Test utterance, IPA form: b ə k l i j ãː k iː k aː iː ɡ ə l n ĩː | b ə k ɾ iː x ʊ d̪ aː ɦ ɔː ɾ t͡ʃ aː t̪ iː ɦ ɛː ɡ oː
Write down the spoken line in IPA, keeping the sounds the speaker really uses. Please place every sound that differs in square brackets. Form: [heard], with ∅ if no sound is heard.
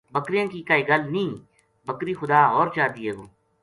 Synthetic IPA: b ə k [ɾ] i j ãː k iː k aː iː ɡ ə l n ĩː | b ə k ɾ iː x ʊ d̪ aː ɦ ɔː ɾ t͡ʃ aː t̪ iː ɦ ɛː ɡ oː